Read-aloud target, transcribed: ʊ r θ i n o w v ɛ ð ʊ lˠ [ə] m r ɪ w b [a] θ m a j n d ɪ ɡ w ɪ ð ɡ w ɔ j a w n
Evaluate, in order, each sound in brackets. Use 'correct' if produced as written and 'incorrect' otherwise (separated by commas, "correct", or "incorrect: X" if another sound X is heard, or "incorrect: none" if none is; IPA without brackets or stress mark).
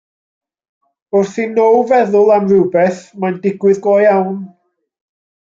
incorrect: a, incorrect: ɛ